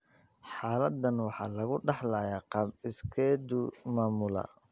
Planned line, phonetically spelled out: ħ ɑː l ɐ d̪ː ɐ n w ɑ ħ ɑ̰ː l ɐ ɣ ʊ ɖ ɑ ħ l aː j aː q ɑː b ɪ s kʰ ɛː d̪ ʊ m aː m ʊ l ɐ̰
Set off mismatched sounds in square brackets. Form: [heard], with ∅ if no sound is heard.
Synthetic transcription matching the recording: ħ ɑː l ɐ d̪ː ɐ n w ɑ ħ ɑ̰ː l ɐ ɣ ʊ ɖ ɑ ħ l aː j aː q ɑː b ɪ s kʰ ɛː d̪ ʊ m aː m ʊ l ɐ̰